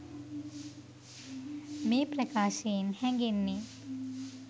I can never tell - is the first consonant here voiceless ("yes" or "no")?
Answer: no